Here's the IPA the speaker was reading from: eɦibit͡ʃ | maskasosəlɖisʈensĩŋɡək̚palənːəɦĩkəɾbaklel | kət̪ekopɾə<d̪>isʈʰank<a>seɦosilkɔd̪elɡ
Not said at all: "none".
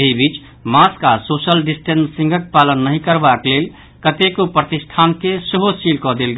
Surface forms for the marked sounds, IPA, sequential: t̪, e

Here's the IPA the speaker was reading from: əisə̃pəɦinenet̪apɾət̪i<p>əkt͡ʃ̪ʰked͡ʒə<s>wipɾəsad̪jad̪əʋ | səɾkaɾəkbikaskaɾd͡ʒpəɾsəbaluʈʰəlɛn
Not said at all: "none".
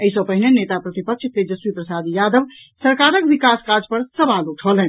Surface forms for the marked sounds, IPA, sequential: p, s

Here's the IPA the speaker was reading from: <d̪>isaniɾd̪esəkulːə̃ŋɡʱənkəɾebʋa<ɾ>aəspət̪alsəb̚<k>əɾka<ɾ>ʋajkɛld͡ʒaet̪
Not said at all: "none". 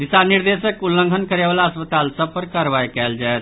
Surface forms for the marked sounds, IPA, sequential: d̪, l, p, ɾ

